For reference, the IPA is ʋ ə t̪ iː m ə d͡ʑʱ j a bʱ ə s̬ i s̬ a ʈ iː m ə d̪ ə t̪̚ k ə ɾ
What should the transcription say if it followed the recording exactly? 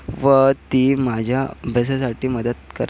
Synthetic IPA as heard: ʋ ə t̪ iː m a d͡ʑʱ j a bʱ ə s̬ a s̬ a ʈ iː m ə d̪ ə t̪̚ k ə ɾ